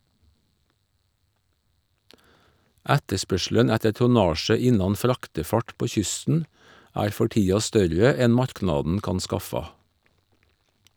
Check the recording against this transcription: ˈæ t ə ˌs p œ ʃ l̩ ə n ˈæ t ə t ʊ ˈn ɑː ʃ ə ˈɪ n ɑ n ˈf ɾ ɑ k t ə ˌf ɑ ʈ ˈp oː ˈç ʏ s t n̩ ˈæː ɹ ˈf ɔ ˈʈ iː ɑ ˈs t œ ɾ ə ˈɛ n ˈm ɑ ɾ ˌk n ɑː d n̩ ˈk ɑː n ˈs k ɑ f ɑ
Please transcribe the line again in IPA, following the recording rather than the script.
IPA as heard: ˈæ t ə ˌs p œ ʃ l̩ ə n ˈæ t ə t ʊ ˈn ɑː ʃ ə ˈɪ n ɑ n ˈf ɾ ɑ k t ə ˌf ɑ ʈ ˈp oː ˈç ʏ s t n̩ ˈæː ɾ ˈf ɔ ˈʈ iː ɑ ˈs t œ ɾ ə ˈɛ n ˈm ɑ ɾ ˌk n ɑː d n̩ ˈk ɑ n ˈs k ɑ f ɑ

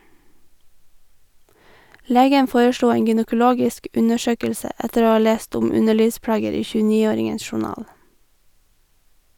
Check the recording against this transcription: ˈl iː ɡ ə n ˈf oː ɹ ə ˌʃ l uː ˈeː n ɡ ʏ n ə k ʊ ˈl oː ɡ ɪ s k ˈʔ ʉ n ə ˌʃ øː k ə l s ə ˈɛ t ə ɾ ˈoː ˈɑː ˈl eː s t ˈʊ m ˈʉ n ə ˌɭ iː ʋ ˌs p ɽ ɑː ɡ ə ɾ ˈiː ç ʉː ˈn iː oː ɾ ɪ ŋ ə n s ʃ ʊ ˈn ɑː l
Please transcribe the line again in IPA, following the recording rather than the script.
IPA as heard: ˈl eː ɡ ə n ˈf oː ɹ ə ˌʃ l uː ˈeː ŋ ɡ ʏ n ə k ʊ ˈl oː ɡ ɪ s k ˈʔ ʉ n ə ˌʃ øː k ə l s ə ˈɛ t ə ɾ ˈoː ˈɑː ˈl eː s t ˈʊ m ˈʉ n ə ˌɭ iː ʋ ˌs p ɽ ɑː ɡ ə ɾ ˈiː ç ʉː ˈn iː oː ɾ ɪ ŋ ə n s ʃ ʊ ˈn ɑː l

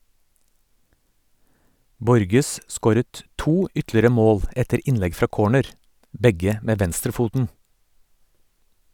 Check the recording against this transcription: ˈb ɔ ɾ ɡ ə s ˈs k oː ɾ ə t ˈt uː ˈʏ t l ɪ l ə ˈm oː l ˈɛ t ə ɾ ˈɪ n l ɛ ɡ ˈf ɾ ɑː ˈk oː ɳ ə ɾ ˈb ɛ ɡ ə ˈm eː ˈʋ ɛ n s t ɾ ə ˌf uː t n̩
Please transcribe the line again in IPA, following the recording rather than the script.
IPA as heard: ˈb ɔ ɾ ɡ ə s ˈs k oː ɾ ə t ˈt uː ˈʏ t l ɪ ɾ ə ˈm oː l ˈɛ t ə ɾ ˈɪ n l ɛ ɡ ˈf ɾ ɑː ˈk oː ɳ ə ɾ ˈb ɛ ɡ ə ˈm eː ˈʋ ɛ n s t ɾ ə ˌf uː t n̩

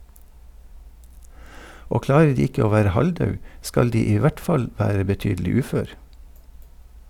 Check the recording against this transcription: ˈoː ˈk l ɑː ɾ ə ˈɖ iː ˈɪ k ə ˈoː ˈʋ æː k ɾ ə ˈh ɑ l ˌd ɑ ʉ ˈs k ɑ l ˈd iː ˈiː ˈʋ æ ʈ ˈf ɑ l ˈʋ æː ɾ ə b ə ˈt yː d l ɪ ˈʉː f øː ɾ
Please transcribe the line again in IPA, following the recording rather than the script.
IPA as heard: ˈoː ˈk l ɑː ɾ ə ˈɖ iː ˈɪ k ə ˈoː ˈʋ æː ɾ ə ˈh ɑ l ˌd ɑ ʉ ˈs k ɑ l ˈd iː ˈiː ˈʋ æ ʈ ˈf ɑ l ˈʋ æː ɾ ə b ə ˈt yː d l ɪ ˈʉː f øː ɾ

